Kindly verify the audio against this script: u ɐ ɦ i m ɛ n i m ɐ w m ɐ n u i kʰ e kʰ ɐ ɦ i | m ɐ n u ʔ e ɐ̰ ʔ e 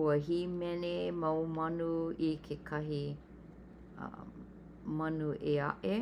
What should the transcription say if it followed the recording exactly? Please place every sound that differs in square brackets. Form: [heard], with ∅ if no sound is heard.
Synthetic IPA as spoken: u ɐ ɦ i m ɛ n [e] m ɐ w m ɐ n u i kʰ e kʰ ɐ ɦ i | m ɐ n u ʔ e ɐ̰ ʔ e